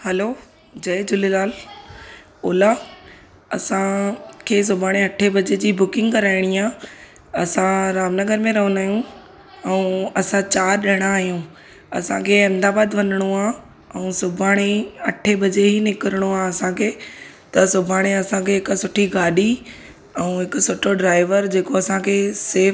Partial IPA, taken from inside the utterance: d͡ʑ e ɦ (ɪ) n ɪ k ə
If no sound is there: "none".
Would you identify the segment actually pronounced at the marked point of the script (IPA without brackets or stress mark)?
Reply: i